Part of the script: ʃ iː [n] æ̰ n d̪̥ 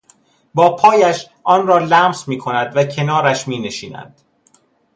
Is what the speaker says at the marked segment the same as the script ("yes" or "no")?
yes